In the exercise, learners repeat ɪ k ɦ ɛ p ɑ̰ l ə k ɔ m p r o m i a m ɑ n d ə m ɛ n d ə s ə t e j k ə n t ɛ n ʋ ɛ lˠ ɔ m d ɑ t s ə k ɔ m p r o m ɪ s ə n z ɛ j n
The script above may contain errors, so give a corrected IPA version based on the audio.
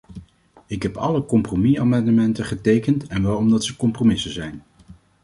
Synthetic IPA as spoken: ɪ k ɦ ɛ p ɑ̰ l ə k ɔ m p r o m i a m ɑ n d ə m ɛ n t ə χ ə t e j k ə n t ɛ n ʋ ɛ lˠ ɔ m d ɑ t s ə k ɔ m p r o m ɪ s ə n z ɛ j n